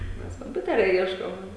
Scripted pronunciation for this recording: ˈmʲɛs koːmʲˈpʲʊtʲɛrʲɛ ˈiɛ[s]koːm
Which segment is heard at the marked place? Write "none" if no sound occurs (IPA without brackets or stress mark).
ʃ